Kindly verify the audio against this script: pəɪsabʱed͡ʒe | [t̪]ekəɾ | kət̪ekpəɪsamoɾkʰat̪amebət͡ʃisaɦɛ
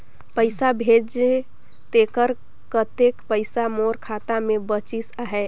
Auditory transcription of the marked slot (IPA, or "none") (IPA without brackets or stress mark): t̪